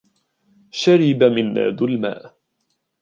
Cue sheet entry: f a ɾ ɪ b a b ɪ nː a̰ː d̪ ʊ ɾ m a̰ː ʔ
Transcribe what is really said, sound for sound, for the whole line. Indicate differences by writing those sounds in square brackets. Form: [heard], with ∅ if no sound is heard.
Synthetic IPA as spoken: [ʃ] a ɾ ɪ b a [m] ɪ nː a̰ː d̪ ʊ [l] m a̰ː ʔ